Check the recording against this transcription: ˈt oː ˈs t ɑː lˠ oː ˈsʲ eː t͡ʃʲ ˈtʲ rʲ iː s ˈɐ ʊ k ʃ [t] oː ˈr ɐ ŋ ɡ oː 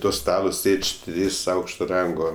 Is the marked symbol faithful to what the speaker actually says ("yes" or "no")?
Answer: yes